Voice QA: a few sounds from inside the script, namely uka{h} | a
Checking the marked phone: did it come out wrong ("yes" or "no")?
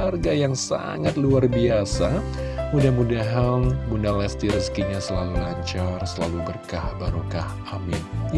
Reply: no